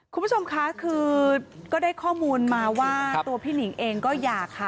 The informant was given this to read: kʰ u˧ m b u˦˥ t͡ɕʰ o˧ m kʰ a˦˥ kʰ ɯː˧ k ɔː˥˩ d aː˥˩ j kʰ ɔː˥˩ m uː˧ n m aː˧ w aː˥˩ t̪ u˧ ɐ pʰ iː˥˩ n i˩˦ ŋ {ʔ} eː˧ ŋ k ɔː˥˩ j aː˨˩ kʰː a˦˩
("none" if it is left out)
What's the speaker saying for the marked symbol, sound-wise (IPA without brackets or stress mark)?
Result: ʔ